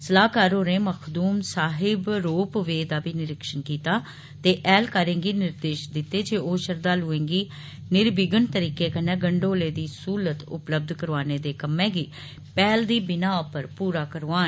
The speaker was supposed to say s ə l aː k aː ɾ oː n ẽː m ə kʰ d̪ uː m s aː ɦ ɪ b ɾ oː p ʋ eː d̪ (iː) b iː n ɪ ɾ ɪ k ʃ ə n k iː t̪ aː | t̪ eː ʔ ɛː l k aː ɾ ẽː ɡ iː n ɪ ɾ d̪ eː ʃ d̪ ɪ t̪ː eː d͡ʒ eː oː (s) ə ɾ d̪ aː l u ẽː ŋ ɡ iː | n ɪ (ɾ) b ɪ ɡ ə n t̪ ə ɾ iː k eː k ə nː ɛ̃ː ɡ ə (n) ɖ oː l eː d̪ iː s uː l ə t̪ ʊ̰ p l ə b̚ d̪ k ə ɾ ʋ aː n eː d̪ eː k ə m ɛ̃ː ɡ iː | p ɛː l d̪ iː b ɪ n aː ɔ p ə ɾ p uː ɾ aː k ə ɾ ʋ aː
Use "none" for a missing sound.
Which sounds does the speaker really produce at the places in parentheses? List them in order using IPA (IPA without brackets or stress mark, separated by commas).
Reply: aː, ʃ, ɾ, ɳ